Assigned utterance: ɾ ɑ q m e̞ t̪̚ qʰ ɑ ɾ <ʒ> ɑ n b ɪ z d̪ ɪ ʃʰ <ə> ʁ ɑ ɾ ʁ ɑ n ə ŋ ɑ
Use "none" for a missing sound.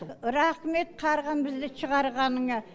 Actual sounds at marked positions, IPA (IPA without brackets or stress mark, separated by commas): ʁ, ə